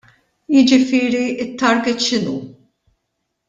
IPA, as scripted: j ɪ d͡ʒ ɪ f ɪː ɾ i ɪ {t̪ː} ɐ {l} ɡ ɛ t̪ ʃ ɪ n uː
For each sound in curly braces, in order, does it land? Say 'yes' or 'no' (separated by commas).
yes, no